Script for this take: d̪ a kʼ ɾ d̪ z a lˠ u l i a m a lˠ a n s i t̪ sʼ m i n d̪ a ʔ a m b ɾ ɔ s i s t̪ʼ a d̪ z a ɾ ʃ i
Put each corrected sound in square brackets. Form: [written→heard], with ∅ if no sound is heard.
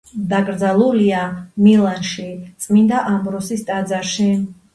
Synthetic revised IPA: d̪ a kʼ ɾ d̪ z a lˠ u l i a m [a→i] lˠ a n [s→ʃ] i t̪ sʼ m i n d̪ a ʔ a m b ɾ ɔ s i s t̪ʼ a d̪ z a ɾ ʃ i